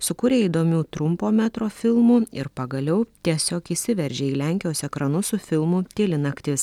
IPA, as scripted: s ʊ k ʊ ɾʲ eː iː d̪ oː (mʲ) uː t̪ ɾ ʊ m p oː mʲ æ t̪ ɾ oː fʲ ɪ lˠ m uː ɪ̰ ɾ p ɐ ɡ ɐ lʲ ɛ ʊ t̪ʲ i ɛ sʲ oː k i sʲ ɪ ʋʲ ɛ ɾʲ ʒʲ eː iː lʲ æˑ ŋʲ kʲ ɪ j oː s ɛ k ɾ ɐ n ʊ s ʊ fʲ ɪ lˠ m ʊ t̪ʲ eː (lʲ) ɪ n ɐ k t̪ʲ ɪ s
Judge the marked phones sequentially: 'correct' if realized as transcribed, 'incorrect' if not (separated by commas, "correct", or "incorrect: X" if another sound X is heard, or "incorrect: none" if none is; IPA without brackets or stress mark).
correct, correct